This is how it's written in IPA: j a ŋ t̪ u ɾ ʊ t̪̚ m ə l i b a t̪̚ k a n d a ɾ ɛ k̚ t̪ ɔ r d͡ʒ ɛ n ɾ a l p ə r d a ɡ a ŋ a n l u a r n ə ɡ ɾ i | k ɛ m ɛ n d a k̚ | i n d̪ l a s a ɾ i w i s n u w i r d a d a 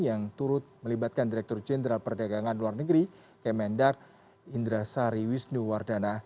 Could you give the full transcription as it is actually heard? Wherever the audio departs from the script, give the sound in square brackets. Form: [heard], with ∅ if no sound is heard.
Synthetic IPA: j a ŋ t̪ u ɾ ʊ t̪̚ m ə l i b a t̪̚ k a n d [i] ɾ ɛ k̚ t̪ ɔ r d͡ʒ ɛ n ɾ a l p ə r d a ɡ a ŋ a n l u a r n ə ɡ ɾ i | k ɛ m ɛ n d a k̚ | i n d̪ [ɾ] a s a ɾ i w i s n u w [a] r d a [n] a